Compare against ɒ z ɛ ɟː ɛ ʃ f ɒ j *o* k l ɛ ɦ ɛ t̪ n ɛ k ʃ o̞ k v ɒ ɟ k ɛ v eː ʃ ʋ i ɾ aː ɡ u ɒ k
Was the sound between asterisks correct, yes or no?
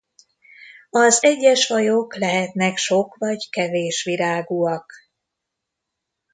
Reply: yes